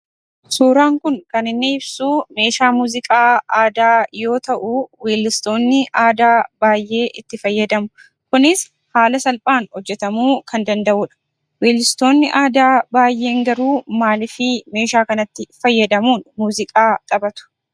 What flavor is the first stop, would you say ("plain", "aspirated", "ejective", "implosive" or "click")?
plain